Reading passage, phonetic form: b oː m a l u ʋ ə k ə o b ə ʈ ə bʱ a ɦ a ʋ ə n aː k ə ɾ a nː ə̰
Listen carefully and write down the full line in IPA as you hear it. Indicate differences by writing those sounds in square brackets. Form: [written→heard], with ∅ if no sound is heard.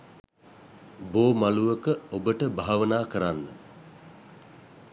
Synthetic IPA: b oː m a l u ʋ ə k ə o b ə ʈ ə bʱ a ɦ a ʋ ə n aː k ə ɾ a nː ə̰